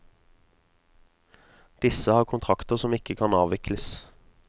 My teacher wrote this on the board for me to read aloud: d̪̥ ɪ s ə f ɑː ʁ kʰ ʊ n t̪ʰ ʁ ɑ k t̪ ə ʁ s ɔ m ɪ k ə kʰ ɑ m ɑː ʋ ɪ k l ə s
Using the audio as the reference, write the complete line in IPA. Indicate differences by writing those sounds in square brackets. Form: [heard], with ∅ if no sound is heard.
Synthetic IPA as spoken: d̪̥ ɪ s ə [h] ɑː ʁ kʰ ʊ n t̪ʰ ʁ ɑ k t̪ ə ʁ s ɔ m ɪ k ə kʰ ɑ [n] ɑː ʋ ɪ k l ə s